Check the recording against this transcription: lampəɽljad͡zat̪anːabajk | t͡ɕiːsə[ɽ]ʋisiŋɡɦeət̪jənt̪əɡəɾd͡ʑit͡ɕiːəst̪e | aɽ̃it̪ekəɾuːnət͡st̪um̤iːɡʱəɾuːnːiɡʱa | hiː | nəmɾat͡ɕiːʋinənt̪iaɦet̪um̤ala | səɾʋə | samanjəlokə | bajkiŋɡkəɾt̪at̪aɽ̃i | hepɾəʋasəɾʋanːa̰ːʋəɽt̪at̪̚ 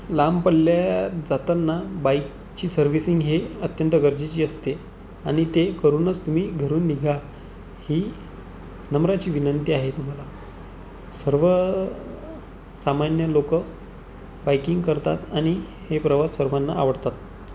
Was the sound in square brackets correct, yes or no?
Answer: no